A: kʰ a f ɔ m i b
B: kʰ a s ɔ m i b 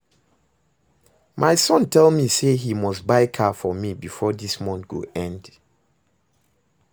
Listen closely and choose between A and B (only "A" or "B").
A